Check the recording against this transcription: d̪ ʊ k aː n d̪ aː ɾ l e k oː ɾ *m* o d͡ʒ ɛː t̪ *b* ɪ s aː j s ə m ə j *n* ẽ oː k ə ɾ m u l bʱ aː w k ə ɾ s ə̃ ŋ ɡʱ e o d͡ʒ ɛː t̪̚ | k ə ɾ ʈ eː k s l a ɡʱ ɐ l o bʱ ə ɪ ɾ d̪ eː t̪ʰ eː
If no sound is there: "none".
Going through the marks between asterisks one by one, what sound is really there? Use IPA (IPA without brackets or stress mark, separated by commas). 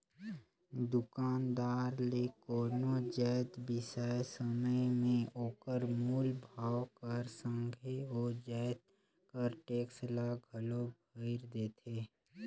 n, b, m